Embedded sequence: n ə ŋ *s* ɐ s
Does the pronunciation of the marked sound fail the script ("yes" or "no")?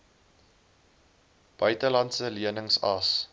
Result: no